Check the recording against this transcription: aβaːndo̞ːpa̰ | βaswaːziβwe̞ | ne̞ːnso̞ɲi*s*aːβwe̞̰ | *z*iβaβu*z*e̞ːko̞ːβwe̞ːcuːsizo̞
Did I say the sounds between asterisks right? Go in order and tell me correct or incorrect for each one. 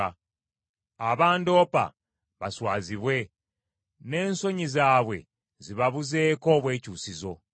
incorrect: z, correct, correct

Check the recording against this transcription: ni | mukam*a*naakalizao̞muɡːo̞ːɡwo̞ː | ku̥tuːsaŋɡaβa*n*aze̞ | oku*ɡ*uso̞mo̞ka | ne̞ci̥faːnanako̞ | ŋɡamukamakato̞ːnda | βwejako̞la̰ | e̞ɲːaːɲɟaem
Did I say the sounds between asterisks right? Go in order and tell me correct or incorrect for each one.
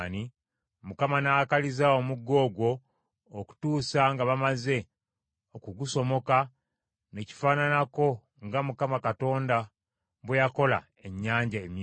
correct, incorrect: m, correct

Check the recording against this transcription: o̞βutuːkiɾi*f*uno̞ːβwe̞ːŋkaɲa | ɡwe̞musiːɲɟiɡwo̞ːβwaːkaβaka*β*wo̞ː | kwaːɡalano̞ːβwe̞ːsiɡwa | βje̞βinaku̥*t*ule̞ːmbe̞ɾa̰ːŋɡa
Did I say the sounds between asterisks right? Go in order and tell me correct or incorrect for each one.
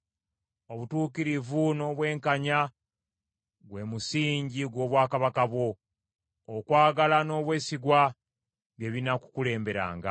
incorrect: v, correct, incorrect: k

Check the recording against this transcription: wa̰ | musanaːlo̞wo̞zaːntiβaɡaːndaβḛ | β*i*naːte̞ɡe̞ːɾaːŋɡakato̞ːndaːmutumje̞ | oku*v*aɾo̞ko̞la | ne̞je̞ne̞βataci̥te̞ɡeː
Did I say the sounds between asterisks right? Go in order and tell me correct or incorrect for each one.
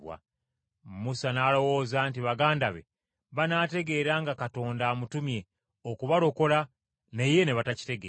incorrect: a, incorrect: β

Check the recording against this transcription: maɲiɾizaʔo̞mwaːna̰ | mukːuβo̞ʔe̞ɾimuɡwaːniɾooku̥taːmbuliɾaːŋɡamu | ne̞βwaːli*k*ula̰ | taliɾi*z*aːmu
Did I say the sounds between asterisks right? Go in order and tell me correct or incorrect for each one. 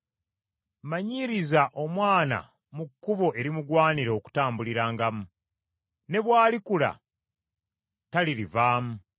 correct, incorrect: v

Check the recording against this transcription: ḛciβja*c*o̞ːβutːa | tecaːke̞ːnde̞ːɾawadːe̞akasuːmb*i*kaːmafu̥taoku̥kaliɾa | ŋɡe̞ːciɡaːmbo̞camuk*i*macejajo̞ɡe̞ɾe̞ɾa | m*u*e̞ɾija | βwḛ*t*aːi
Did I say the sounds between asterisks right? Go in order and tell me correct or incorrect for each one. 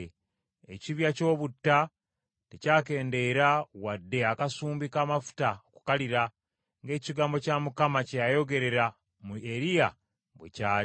correct, correct, incorrect: a, correct, incorrect: c

